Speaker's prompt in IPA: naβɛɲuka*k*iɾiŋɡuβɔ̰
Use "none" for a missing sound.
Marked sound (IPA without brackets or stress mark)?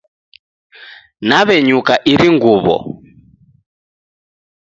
ʔ